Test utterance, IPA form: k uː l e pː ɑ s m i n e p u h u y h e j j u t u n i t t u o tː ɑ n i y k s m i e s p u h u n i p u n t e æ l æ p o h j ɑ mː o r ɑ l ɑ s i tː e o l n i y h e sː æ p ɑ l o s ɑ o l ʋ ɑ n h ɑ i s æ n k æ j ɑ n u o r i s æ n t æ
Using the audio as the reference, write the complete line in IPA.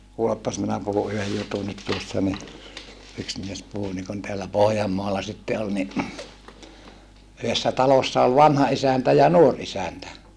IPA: k uː l e pː ɑ s m i n æ p u h u y h e j j u t u n i t t u o sː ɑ n i y k s m i e s p u h u n i k u n t e æ lː æ p o h j ɑ mː o ɑ l ɑ s i tː e o l n i y h e sː æ t ɑ l o sː ɑ o l ʋ ɑ n h ɑ i s æ n t æ j ɑ n u o r i s æ n t æ